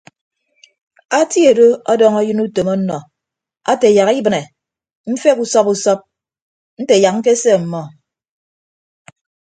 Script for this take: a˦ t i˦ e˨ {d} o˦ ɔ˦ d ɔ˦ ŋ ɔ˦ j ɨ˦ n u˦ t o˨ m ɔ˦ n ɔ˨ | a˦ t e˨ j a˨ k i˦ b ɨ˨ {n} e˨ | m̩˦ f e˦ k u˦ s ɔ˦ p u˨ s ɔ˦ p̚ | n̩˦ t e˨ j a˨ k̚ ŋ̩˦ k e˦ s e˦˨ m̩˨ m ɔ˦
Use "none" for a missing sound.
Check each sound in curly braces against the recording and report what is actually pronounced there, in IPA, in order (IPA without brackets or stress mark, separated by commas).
d, n